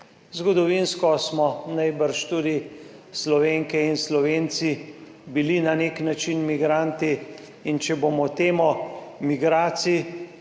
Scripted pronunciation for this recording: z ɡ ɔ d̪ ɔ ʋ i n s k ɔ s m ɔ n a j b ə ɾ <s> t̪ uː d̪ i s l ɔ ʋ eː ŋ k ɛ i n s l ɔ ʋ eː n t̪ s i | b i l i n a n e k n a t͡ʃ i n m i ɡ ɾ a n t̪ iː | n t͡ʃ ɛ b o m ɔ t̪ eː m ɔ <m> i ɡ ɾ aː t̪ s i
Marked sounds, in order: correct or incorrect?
incorrect: ʃ, correct

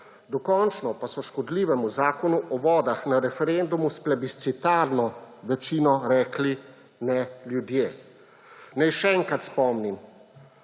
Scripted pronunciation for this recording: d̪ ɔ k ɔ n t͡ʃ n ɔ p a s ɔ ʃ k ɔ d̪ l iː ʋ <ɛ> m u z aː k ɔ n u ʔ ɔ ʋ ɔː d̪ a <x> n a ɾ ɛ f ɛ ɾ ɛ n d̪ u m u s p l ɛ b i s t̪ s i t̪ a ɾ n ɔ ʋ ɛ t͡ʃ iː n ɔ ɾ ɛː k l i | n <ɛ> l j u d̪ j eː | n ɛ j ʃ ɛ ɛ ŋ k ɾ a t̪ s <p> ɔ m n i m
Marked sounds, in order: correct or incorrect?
correct, correct, correct, correct

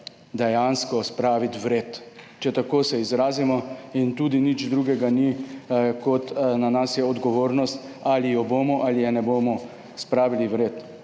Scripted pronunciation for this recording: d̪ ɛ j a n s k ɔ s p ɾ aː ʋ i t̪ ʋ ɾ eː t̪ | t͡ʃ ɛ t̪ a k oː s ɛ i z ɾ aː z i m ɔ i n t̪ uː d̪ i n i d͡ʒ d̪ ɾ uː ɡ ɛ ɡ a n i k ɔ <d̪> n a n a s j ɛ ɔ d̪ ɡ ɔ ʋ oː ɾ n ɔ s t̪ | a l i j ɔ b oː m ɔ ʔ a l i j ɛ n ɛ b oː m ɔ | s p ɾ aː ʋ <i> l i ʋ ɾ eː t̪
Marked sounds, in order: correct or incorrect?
incorrect: t̪, correct

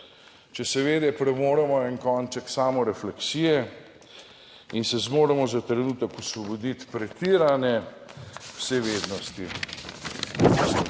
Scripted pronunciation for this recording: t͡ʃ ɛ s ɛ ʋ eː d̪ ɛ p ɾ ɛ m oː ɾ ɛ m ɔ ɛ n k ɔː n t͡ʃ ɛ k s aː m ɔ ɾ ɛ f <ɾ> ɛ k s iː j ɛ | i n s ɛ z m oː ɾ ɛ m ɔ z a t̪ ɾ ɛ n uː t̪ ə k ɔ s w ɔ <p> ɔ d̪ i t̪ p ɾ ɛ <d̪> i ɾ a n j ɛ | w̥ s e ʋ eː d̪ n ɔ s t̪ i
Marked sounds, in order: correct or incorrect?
incorrect: l, incorrect: b, incorrect: t̪

